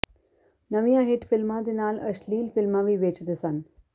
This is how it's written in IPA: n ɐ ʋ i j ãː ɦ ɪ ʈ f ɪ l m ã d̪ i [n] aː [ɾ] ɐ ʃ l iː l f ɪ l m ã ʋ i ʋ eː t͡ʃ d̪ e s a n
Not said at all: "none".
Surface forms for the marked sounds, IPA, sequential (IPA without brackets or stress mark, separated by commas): n, l